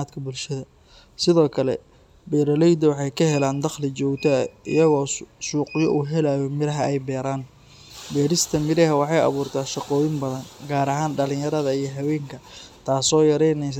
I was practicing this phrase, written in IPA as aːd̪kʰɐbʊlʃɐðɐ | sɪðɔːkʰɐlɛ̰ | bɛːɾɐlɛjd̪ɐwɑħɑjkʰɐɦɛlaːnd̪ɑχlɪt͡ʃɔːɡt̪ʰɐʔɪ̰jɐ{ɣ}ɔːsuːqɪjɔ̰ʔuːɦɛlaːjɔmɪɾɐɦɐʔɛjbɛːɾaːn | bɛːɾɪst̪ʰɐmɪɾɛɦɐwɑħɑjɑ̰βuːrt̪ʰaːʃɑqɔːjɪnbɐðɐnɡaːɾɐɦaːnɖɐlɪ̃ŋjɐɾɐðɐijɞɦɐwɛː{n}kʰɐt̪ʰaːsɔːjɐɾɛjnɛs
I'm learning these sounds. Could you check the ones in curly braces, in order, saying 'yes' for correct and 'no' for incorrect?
yes, no

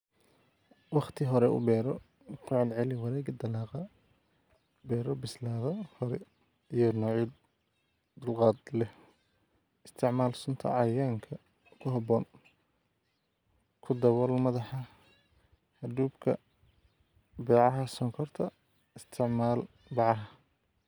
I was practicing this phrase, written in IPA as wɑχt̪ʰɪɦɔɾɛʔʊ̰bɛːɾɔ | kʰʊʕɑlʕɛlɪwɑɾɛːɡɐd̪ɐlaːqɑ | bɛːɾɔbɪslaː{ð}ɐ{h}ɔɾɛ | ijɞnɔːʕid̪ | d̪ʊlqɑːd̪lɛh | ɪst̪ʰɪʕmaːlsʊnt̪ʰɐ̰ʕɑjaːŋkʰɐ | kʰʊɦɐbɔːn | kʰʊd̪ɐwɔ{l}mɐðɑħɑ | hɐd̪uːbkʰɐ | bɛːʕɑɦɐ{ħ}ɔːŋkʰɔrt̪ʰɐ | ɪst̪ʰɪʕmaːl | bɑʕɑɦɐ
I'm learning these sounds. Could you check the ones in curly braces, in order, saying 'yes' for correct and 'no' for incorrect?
yes, yes, yes, no

